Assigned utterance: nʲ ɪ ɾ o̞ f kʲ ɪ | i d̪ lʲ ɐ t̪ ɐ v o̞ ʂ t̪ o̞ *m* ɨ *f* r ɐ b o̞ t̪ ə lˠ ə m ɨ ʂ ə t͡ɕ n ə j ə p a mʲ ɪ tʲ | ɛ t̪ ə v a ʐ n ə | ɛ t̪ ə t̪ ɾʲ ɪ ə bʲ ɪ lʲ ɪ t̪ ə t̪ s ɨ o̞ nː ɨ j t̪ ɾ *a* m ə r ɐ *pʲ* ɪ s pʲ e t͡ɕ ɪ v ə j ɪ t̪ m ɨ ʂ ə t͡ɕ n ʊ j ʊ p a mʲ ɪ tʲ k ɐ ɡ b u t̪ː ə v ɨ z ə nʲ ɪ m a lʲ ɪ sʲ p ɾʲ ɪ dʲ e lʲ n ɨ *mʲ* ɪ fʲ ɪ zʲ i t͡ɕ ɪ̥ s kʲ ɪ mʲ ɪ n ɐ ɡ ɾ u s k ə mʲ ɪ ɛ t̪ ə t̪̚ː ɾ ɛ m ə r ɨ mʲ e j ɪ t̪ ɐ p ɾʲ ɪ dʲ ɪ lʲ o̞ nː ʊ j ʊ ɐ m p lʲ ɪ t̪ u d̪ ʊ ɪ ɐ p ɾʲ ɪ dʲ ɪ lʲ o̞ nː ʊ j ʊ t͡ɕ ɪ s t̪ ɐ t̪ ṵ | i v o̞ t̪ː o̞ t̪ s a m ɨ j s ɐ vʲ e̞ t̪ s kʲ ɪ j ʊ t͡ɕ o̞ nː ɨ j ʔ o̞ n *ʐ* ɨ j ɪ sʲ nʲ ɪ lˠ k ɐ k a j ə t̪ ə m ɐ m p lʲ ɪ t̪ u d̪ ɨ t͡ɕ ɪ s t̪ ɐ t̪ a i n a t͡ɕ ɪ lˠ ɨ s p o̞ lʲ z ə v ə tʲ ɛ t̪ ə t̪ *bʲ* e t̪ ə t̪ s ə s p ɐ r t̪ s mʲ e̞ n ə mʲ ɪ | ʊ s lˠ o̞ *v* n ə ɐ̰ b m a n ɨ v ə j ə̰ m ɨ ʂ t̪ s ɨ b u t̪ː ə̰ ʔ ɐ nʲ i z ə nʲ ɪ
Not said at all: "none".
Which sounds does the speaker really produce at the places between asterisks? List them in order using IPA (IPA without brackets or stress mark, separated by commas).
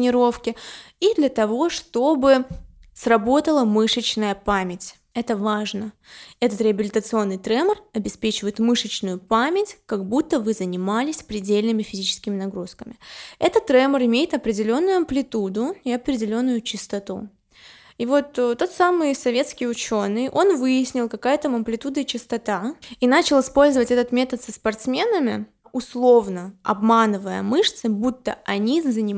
b, s, ɛ, bʲ, mʲ, v, mʲ, v